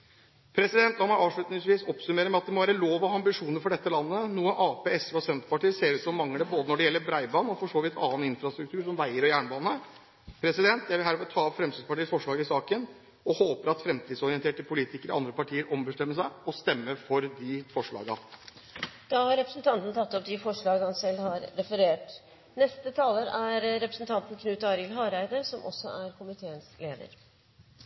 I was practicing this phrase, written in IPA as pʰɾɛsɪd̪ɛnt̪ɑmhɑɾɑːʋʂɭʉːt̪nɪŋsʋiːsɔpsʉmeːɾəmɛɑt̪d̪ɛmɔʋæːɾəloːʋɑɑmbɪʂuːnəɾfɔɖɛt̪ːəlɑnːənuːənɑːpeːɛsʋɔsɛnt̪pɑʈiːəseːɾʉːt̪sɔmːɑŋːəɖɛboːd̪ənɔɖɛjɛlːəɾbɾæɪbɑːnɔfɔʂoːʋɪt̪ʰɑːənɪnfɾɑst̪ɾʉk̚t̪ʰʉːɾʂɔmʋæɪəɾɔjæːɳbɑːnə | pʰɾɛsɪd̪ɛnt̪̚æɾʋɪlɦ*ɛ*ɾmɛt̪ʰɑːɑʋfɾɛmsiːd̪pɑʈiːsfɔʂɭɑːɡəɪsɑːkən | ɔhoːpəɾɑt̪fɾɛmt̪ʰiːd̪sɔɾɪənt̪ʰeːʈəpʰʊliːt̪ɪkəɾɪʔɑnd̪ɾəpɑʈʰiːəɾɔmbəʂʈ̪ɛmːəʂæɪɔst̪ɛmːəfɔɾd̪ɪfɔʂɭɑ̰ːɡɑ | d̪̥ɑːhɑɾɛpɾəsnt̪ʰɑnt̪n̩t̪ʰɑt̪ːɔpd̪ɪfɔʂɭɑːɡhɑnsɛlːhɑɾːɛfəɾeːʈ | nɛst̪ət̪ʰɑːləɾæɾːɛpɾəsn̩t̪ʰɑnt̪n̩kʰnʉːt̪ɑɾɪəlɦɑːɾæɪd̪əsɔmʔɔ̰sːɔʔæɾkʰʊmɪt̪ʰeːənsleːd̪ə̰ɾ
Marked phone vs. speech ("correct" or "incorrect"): incorrect